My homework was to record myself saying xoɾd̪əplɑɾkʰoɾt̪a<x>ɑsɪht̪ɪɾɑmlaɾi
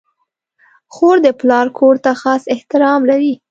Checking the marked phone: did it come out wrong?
no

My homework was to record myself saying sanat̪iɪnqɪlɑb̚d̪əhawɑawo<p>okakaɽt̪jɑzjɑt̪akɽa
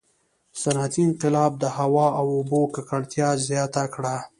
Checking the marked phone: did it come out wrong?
yes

